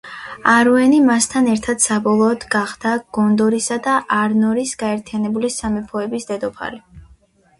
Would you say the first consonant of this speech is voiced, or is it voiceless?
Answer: voiced